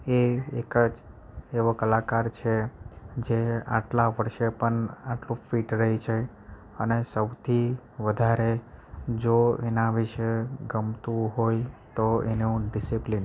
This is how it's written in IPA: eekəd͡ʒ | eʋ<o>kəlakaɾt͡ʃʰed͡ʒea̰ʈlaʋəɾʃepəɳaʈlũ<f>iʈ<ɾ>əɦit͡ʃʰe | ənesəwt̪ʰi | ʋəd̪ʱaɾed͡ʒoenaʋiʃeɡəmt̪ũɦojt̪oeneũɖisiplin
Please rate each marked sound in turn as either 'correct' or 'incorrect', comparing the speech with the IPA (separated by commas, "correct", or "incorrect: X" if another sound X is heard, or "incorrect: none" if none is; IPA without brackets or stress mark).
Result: correct, correct, correct